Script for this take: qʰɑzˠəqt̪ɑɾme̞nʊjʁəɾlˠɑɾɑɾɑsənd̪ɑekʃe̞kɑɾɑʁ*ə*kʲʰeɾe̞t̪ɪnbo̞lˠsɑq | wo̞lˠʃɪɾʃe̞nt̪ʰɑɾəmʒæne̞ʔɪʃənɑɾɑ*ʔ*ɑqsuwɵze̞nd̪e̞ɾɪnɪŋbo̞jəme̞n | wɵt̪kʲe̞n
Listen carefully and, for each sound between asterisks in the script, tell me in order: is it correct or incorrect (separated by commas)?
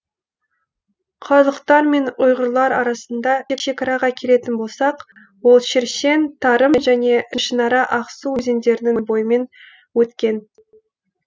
incorrect, correct